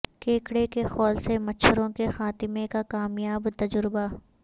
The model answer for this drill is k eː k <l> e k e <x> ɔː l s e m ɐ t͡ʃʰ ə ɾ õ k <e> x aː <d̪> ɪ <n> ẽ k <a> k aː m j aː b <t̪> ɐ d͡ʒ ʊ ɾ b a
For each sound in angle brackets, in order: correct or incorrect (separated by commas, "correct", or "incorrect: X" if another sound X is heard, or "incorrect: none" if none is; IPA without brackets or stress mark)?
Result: incorrect: ɽ, correct, correct, incorrect: t̪, incorrect: m, correct, correct